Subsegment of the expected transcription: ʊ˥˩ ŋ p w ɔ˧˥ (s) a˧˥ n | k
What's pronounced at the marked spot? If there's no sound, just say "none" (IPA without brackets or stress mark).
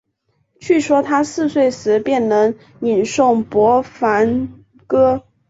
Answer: f